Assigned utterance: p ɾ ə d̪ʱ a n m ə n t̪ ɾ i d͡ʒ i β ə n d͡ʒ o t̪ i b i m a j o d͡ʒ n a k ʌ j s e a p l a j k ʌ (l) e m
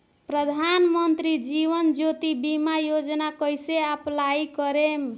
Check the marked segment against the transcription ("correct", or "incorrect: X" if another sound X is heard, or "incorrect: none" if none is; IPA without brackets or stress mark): incorrect: ɾ